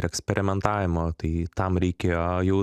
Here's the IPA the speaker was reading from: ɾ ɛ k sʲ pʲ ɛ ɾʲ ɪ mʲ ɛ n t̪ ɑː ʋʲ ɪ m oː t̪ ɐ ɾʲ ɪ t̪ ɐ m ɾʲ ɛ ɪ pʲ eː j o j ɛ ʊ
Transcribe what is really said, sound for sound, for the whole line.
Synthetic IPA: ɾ ɛ k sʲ pʲ ɛ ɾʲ ɪ mʲ ɛ n t̪ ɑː ʋʲ ɪ m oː t̪ ɐ ɪ t̪ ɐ m ɾʲ ɛ ɪ kʲ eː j o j ɛ ʊ